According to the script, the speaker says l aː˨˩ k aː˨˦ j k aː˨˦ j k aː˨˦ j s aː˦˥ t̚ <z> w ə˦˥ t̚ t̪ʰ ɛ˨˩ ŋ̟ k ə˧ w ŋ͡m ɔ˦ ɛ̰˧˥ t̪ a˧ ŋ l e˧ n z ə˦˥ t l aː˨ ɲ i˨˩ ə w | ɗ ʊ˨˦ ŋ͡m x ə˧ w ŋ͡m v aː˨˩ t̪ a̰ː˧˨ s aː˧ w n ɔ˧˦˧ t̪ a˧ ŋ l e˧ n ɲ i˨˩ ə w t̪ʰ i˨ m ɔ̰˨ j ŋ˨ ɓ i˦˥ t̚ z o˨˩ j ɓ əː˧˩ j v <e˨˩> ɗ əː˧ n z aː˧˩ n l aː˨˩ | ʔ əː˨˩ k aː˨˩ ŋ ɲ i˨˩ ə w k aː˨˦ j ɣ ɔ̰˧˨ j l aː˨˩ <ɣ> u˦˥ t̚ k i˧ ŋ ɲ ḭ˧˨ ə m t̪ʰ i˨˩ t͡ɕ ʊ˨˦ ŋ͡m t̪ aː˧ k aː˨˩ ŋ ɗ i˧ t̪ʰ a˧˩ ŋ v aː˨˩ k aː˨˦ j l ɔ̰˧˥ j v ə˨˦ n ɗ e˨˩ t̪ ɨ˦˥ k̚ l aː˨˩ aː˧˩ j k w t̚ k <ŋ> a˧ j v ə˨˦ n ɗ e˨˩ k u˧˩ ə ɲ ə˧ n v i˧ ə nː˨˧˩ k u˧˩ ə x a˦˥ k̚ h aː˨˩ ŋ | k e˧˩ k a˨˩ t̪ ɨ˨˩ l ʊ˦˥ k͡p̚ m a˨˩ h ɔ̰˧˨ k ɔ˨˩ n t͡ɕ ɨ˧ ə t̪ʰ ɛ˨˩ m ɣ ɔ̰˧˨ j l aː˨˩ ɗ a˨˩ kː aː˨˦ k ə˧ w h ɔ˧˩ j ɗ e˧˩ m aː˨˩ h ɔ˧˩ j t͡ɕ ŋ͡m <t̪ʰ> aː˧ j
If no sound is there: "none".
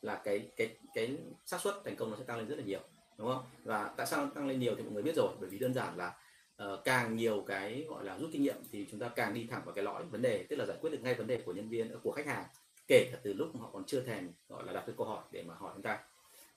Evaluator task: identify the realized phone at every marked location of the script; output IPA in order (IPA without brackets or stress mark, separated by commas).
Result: s, i˨˩, z, ŋ, t̪